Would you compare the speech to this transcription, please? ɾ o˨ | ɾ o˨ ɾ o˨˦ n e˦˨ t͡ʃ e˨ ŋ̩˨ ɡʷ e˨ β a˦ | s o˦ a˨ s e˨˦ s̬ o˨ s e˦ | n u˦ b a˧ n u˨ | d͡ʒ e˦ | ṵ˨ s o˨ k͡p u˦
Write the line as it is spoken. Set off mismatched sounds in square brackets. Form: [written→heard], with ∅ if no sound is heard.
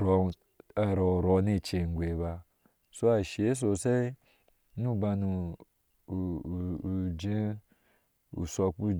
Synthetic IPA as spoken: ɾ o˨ | ɾ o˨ ɾ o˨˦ n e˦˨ t͡ʃ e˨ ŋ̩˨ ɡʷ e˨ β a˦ | s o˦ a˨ [s→ʃ] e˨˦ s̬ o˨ s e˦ | n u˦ b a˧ n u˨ | d͡ʒ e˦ | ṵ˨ s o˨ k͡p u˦